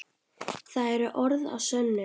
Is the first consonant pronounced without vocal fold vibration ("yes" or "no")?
yes